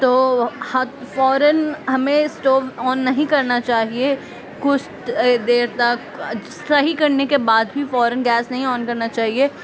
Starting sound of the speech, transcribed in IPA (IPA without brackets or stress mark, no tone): t̪